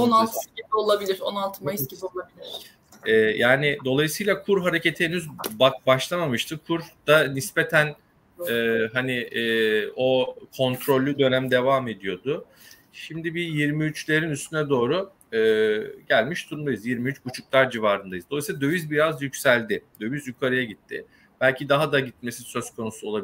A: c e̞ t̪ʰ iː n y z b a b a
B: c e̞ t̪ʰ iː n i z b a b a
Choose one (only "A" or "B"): A